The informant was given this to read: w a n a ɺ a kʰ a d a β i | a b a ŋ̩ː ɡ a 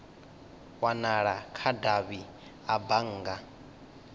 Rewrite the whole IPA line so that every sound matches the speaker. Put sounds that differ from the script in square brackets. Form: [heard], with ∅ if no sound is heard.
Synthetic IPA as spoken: w a n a ɺ a kʰ a d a β i | a b a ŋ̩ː ɡ a